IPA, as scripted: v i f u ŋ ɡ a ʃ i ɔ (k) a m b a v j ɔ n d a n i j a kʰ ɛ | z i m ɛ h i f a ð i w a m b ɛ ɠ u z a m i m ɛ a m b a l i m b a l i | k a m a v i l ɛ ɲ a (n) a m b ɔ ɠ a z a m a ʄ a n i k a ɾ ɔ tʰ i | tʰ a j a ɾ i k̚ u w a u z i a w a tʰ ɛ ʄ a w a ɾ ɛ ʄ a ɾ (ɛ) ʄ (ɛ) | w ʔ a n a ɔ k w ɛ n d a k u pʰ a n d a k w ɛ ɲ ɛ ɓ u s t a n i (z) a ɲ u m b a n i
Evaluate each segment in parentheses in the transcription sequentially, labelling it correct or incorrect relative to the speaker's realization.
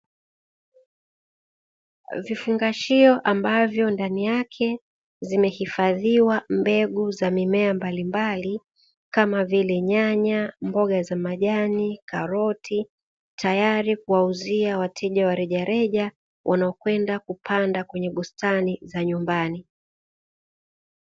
incorrect, incorrect, correct, incorrect, correct

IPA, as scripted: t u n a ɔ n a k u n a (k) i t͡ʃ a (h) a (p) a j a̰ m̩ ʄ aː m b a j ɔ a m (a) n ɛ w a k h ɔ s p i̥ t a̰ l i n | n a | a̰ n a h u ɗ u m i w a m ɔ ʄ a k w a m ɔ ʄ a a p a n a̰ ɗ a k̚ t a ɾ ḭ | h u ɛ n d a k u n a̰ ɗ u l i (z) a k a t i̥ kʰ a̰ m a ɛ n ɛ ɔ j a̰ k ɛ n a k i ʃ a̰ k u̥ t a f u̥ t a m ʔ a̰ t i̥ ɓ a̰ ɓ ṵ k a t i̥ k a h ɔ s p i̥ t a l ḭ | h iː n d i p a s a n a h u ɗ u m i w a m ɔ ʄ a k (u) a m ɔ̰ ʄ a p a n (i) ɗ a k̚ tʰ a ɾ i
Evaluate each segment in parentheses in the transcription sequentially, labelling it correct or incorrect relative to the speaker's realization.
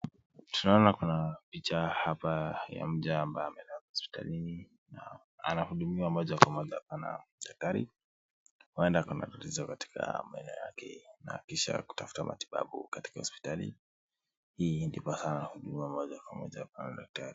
incorrect, correct, correct, incorrect, correct, incorrect, incorrect

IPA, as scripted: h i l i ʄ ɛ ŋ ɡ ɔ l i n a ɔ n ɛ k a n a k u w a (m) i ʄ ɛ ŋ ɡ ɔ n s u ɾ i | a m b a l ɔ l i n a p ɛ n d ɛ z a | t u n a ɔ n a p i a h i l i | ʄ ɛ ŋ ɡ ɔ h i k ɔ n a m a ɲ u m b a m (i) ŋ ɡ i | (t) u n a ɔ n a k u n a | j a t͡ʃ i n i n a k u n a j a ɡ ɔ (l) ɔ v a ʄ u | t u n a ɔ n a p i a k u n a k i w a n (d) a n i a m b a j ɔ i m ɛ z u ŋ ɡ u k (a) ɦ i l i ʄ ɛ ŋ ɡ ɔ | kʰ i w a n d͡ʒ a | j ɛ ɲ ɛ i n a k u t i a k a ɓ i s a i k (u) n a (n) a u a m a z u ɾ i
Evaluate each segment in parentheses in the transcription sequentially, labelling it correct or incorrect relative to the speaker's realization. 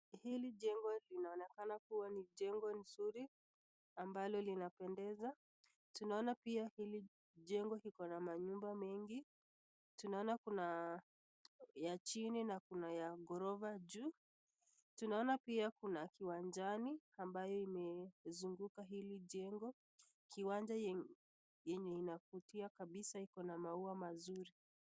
incorrect, incorrect, correct, incorrect, incorrect, correct, incorrect, incorrect

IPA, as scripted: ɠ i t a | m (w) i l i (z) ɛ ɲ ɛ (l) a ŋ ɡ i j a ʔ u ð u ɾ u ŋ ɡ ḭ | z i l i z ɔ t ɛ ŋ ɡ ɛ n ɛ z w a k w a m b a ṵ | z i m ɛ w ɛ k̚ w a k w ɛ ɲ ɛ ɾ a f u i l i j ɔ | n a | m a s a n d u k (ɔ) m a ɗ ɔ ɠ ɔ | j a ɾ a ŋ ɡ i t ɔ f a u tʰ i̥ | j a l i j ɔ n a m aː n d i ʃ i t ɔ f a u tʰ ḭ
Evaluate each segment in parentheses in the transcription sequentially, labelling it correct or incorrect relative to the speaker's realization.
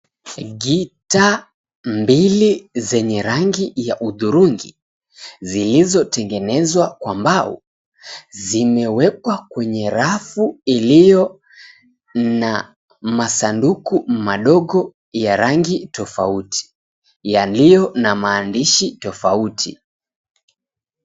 incorrect, correct, incorrect, incorrect

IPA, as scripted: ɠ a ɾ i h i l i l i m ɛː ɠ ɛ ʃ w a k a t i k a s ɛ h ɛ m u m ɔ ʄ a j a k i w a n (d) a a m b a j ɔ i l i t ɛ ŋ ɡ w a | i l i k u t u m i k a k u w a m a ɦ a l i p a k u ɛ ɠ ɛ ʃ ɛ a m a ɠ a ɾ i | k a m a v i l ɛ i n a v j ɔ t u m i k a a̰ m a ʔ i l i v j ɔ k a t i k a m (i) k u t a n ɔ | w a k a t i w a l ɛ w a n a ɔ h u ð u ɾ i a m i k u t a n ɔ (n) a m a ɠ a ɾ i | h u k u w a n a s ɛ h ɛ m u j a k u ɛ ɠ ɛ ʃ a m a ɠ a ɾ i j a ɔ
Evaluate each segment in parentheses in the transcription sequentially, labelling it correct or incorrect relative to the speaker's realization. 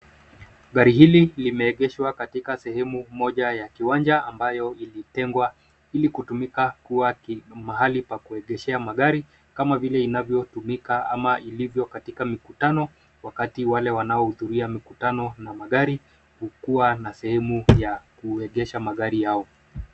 incorrect, correct, correct

